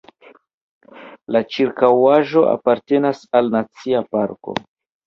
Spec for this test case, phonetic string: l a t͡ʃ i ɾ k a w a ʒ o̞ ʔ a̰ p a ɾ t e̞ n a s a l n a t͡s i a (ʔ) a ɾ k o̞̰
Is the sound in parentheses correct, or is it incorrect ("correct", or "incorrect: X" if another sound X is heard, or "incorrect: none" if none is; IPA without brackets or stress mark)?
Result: incorrect: p